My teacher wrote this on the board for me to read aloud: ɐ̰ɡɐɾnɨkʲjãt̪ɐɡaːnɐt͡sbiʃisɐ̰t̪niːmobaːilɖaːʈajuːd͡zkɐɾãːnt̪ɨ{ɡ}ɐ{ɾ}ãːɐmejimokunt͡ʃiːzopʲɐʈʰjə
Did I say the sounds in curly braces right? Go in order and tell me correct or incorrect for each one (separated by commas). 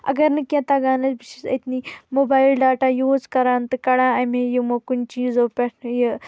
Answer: incorrect, incorrect